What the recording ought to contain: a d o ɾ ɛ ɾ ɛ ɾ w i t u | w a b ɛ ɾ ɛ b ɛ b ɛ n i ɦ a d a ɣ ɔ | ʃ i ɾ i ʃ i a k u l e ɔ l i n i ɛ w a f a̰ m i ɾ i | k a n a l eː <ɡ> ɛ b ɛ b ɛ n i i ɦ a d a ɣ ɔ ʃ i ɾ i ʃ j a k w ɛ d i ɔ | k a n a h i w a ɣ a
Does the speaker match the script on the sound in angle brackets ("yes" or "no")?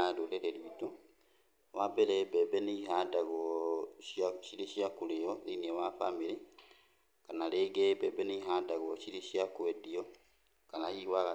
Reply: yes